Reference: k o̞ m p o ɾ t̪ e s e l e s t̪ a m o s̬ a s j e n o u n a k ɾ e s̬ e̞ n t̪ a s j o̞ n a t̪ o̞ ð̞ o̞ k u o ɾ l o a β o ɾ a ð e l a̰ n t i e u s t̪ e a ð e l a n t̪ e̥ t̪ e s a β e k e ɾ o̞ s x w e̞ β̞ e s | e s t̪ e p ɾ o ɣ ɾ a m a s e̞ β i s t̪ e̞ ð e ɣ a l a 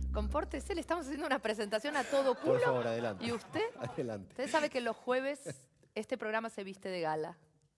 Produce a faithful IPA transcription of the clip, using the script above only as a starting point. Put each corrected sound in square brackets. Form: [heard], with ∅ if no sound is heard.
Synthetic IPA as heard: k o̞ m p o ɾ t̪ e s e l e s t̪ a m o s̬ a s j e n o u n a [p] ɾ e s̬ e̞ n t̪ a s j o̞ n a t̪ o̞ ð̞ o̞ k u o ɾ l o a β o ɾ a ð e l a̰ n t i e u s t̪ e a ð e l a n t̪ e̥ t̪ e s a β e k e [l] o̞ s x w e̞ β̞ e s | e s t̪ e p ɾ o ɣ ɾ a m a s e̞ β i s t̪ e̞ ð e ɣ a l a